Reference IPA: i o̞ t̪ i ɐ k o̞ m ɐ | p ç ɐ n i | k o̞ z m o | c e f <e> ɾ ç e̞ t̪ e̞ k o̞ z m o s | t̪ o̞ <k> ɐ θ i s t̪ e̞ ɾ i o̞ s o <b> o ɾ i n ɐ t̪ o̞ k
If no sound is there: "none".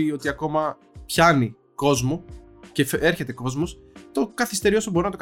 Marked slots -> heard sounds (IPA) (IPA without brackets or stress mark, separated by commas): e, k, b